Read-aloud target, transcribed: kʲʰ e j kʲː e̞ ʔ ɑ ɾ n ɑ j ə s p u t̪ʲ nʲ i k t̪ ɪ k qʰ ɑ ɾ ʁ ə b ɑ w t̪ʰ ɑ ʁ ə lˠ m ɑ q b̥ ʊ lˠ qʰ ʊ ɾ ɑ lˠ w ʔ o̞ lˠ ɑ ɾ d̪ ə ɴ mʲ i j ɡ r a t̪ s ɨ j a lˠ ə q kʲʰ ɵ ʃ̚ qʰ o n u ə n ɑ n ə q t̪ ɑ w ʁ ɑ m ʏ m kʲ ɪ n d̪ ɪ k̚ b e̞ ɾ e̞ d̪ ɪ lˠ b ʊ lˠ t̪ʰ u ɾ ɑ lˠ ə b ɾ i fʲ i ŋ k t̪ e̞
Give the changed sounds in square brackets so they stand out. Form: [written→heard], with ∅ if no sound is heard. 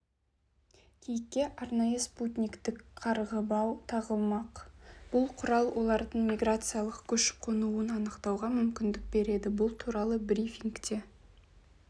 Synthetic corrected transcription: kʲʰ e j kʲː e̞ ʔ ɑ ɾ n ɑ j ə s p u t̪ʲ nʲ i k t̪ ɪ k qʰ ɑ ɾ ʁ ə b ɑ w t̪ʰ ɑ ʁ ə lˠ m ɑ q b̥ ʊ lˠ qʰ ʊ ɾ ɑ lˠ w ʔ o̞ lˠ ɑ ɾ d̪ ə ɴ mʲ i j ɡ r a t̪ s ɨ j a lˠ ə q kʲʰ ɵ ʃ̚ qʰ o n u ə n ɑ n ə q t̪ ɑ w ʁ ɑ m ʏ m kʲ ɪ n d̪ ɪ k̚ b e̞ ɾ e̞ d̪ ɪ [lˠ→∅] b ʊ lˠ t̪ʰ u ɾ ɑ lˠ ə b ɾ i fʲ i ŋ k t̪ e̞